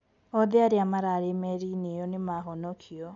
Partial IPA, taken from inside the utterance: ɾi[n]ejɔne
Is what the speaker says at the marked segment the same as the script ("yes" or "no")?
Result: yes